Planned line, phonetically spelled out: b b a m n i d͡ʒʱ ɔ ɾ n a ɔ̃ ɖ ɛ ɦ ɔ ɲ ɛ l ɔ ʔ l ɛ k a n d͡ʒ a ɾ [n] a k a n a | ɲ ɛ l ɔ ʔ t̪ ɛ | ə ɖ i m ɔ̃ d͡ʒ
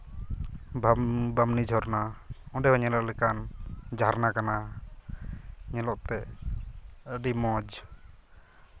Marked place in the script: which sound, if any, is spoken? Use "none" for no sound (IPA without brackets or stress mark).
n